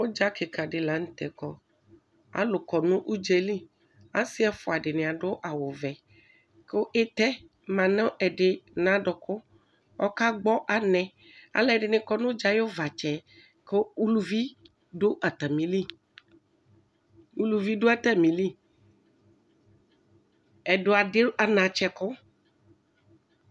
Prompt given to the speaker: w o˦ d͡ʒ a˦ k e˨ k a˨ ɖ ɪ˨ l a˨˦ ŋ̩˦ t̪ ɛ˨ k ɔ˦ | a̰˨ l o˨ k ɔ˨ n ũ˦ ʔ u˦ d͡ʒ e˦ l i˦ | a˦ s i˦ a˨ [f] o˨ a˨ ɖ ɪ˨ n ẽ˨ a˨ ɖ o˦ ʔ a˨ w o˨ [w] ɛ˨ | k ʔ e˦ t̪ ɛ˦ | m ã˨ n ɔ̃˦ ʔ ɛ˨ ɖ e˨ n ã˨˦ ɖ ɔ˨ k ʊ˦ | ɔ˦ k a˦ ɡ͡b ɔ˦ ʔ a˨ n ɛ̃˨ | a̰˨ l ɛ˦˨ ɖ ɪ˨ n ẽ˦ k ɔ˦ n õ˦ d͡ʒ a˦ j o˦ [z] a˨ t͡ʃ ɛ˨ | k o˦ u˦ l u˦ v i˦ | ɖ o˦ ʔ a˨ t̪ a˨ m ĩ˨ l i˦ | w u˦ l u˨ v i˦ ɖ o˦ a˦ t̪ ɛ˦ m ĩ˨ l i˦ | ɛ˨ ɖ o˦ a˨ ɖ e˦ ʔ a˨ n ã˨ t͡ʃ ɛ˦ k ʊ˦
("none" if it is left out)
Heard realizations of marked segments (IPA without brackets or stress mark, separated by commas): f, v, v